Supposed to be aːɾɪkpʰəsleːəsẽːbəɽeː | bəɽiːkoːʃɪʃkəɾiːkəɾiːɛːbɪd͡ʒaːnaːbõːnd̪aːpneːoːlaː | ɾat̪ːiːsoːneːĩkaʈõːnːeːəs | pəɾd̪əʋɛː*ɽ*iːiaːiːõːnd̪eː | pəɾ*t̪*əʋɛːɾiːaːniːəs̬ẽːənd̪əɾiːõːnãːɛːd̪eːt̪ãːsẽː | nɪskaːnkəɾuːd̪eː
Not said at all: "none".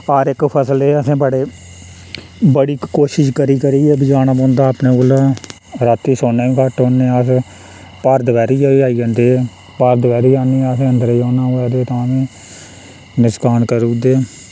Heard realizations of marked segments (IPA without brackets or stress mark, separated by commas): ɾ, d̪